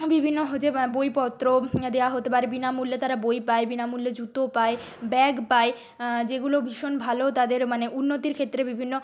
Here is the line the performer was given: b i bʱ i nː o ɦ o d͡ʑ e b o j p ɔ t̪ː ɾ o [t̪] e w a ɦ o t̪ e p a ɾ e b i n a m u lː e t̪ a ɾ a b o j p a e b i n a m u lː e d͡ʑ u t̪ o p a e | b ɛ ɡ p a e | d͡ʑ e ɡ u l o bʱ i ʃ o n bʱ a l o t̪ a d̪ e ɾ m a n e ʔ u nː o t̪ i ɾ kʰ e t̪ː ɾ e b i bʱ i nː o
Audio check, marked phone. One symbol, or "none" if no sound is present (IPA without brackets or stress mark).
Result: d̪